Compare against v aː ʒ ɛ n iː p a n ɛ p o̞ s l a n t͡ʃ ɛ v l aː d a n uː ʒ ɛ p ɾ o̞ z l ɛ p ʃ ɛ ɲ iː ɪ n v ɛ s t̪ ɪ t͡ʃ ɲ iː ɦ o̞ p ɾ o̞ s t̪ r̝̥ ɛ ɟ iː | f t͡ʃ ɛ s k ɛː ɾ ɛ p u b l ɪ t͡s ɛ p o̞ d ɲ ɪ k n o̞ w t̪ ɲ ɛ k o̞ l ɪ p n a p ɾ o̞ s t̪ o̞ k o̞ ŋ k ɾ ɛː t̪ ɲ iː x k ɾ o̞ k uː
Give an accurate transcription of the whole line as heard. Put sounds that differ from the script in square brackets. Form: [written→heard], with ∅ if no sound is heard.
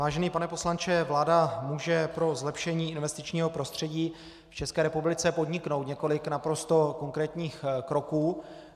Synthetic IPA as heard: v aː ʒ ɛ n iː p a n ɛ p o̞ s l a n t͡ʃ ɛ v l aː d a [n→m] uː ʒ ɛ p ɾ o̞ z l ɛ p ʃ ɛ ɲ iː ɪ n v ɛ s t̪ ɪ t͡ʃ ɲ iː ɦ o̞ p ɾ o̞ s t̪ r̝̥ ɛ ɟ iː | f t͡ʃ ɛ s k ɛː ɾ ɛ p u b l ɪ t͡s ɛ p o̞ d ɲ ɪ k n o̞ w t̪ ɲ ɛ k o̞ l ɪ [p→k] n a p ɾ o̞ s t̪ o̞ k o̞ ŋ k ɾ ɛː t̪ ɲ iː x k ɾ o̞ k uː